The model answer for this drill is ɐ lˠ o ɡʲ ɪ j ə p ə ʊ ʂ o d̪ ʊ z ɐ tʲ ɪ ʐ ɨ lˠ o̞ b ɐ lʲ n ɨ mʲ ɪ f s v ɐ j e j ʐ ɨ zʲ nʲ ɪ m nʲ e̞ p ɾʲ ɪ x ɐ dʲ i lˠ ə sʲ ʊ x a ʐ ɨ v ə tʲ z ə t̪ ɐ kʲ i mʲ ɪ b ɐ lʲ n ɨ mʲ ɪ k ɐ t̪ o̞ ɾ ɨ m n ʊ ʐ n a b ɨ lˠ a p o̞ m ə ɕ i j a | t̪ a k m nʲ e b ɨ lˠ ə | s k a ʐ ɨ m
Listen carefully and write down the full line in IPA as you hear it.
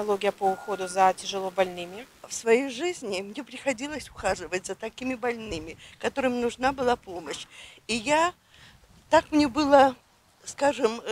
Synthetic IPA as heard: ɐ lˠ o ɡʲ ɪ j ə p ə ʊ x o d̪ ʊ z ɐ tʲ ɪ ʐ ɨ lˠ o̞ b ɐ lʲ n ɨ mʲ ɪ f s v ɐ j e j ʐ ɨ zʲ nʲ ɪ m nʲ e̞ p ɾʲ ɪ x ɐ dʲ i lˠ ə sʲ ʊ x a ʐ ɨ v ə tʲ z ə t̪ ɐ kʲ i mʲ ɪ b ɐ lʲ n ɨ mʲ ɪ k ɐ t̪ o̞ ɾ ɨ m n ʊ ʐ n a b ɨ lˠ a p o̞ m ə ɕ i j a | t̪ a k m nʲ e b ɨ lˠ ə | s k a ʐ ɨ m